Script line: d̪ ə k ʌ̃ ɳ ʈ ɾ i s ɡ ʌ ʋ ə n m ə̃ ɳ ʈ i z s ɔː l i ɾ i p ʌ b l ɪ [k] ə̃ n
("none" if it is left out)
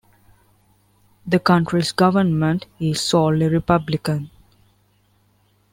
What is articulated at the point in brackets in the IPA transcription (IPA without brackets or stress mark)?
k